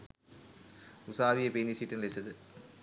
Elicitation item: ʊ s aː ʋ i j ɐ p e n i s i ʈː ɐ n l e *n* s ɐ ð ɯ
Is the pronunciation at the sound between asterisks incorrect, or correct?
incorrect